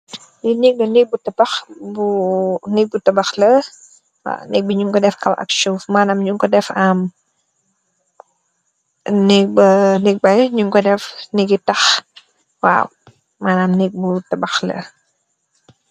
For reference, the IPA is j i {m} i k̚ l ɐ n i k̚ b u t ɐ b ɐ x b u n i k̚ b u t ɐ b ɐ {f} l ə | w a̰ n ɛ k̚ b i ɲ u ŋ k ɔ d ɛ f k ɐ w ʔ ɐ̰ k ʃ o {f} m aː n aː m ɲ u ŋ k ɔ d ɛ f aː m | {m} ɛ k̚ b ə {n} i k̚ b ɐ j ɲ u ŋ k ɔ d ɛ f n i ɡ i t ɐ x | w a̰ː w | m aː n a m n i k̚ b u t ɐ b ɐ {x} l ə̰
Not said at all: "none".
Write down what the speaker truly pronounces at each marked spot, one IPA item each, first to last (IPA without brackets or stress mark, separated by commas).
n, x, f, n, n, x